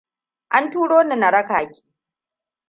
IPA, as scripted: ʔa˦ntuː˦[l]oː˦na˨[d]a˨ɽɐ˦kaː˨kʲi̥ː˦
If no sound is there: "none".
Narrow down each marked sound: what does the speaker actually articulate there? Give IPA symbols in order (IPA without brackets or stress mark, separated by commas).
ɽ, n